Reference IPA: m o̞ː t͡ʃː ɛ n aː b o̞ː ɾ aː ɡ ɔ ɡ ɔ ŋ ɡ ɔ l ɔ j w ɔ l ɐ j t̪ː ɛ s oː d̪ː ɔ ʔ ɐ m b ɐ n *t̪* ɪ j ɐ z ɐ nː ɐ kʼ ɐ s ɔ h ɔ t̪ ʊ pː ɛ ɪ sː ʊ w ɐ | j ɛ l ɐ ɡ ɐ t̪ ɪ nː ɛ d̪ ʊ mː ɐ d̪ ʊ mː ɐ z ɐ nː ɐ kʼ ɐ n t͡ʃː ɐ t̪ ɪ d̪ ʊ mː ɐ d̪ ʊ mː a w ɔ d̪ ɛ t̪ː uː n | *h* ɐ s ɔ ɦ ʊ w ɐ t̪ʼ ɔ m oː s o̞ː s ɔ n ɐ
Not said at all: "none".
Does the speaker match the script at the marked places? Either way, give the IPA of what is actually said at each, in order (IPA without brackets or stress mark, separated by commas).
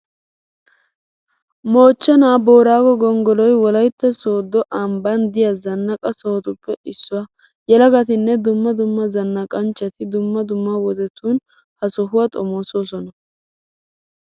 d̪, h